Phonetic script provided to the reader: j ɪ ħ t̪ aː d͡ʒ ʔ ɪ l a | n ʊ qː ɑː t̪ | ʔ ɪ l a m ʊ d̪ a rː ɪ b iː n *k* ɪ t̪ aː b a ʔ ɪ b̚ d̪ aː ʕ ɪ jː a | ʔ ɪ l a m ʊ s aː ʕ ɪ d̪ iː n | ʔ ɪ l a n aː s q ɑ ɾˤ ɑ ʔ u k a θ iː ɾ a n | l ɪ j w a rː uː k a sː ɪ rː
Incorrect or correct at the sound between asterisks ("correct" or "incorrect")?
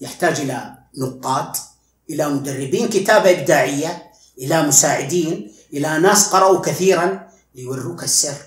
correct